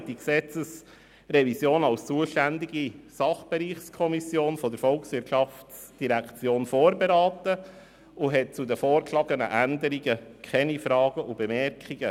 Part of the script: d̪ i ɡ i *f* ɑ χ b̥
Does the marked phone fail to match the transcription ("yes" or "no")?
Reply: yes